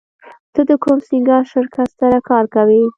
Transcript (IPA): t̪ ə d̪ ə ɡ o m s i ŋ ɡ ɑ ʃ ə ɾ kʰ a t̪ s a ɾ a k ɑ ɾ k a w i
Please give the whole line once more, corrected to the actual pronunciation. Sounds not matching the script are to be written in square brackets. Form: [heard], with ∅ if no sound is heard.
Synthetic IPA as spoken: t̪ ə d̪ ə [k] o m s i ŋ ɡ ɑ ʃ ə ɾ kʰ a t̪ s a ɾ a k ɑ ɾ k a w i